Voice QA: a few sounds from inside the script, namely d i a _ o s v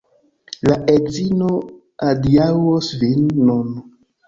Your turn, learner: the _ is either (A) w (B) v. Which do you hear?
A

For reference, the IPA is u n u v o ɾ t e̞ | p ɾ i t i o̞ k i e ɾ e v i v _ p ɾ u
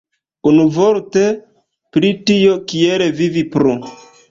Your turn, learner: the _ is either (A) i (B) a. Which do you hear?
A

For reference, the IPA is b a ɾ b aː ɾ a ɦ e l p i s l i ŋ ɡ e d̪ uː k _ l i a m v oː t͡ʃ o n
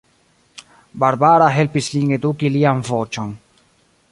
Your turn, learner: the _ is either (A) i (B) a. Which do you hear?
A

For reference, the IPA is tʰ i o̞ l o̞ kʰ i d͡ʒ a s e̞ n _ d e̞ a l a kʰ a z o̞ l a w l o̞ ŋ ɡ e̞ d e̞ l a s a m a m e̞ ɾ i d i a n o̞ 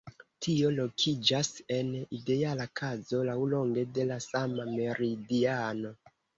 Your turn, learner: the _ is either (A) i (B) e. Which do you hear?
A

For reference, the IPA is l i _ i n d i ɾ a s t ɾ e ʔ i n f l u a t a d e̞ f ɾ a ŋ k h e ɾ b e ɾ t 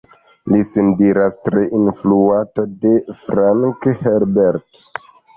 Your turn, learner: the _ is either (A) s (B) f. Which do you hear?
A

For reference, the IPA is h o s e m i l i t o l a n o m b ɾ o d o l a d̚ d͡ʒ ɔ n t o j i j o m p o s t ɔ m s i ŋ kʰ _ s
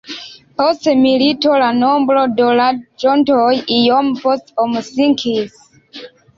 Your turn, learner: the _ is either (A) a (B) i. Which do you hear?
B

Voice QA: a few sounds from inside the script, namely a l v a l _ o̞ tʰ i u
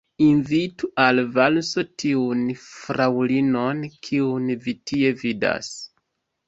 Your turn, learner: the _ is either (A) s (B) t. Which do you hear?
A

